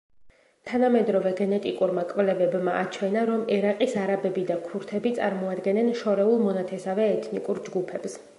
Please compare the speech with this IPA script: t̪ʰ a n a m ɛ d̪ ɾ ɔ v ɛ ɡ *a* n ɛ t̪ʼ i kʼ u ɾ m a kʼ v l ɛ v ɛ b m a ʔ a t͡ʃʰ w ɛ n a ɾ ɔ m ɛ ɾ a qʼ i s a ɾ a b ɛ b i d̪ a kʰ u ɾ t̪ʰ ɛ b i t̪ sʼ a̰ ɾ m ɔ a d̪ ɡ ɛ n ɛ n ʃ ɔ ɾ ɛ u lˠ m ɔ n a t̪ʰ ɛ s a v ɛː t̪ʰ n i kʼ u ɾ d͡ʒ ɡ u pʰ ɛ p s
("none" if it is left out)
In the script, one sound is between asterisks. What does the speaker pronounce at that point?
ɛ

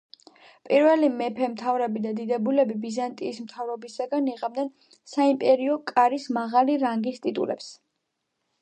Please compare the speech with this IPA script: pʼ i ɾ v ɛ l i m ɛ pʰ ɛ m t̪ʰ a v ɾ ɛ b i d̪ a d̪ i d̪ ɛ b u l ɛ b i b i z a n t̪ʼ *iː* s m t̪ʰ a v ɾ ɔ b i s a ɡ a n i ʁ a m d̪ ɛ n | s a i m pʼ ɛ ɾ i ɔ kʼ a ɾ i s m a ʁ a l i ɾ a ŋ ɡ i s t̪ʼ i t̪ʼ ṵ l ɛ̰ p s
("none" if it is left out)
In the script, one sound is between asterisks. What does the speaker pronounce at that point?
iː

